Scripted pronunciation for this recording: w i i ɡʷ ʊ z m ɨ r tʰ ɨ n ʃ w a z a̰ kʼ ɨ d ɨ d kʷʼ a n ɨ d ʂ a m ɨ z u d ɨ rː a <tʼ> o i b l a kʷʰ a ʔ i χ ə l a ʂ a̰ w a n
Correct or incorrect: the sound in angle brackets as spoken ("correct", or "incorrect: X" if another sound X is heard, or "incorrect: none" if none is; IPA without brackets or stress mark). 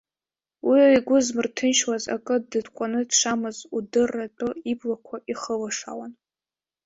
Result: correct